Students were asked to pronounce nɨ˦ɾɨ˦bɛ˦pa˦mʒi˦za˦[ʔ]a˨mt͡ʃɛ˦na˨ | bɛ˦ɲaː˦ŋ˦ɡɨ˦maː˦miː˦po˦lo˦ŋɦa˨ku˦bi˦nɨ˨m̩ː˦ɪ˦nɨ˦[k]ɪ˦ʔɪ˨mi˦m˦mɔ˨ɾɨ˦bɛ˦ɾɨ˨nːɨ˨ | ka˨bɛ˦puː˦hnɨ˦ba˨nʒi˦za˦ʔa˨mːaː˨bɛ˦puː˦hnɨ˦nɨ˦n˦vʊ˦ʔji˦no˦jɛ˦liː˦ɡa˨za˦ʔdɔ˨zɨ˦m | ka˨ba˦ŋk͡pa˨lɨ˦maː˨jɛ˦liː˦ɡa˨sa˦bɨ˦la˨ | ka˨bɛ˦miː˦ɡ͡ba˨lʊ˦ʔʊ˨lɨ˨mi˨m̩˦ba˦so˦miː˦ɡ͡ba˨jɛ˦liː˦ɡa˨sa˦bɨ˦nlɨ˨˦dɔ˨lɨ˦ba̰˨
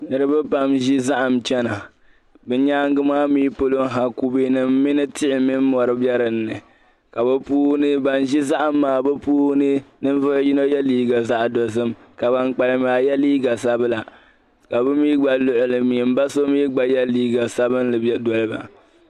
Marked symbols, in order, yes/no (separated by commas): yes, no